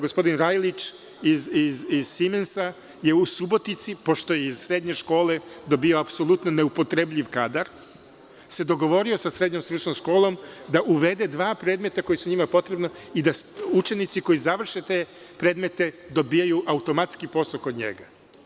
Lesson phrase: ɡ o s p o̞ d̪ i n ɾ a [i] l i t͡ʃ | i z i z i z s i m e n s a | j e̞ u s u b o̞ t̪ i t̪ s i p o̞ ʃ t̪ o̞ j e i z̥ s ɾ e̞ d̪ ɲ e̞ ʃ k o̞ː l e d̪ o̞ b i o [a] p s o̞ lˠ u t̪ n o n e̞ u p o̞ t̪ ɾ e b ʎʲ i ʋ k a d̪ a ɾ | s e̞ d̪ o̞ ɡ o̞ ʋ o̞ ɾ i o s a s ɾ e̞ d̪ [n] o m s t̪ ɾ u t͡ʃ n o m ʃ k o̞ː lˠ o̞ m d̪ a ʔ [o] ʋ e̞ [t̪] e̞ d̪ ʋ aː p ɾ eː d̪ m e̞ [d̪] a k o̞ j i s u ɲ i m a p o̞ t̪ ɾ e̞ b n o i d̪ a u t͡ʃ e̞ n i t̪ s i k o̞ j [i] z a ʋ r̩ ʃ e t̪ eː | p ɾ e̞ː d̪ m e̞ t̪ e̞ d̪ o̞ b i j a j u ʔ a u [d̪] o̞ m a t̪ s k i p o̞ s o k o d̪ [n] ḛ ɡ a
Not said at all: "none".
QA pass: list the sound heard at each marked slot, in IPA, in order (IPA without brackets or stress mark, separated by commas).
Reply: j, a, ɲ, u, d̪, t̪, i, t̪, ɲ